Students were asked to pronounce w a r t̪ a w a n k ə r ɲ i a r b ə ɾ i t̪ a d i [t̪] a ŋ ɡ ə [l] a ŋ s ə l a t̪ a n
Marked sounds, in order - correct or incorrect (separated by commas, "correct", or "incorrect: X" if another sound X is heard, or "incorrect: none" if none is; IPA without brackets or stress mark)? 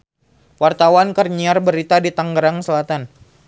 correct, incorrect: ɾ